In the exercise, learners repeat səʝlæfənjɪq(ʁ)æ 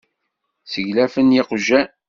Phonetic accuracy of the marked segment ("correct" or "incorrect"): incorrect